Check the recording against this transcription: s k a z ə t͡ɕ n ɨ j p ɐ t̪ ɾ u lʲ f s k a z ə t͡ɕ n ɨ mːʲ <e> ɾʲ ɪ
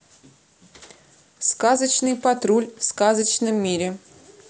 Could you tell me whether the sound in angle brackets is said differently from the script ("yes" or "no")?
yes